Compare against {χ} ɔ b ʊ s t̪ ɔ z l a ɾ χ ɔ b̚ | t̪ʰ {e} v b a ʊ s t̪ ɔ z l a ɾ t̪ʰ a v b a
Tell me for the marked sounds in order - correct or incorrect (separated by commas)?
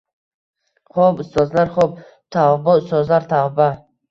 correct, incorrect